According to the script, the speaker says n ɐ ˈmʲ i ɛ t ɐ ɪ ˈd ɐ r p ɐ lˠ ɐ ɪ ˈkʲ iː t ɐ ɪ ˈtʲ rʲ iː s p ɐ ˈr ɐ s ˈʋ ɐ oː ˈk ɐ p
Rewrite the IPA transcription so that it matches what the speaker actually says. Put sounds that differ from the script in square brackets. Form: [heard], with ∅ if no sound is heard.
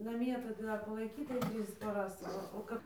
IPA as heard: n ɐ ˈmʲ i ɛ t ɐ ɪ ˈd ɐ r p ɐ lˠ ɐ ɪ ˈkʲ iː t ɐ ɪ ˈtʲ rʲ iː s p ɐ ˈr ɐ s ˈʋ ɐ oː ˈk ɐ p